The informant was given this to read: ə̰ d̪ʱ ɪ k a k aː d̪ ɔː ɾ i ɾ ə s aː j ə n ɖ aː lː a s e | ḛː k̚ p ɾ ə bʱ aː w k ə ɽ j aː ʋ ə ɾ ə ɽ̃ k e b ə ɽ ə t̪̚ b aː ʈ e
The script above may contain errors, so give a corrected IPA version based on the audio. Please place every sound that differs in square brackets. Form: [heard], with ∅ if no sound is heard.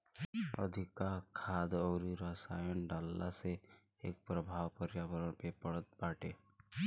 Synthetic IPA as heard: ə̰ d̪ʱ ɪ k a [kʰ] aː d̪ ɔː ɾ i ɾ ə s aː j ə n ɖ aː lː a s e | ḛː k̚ p ɾ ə bʱ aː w [p] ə [ɾ] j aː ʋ ə ɾ ə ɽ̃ [p] e [p] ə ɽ ə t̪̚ b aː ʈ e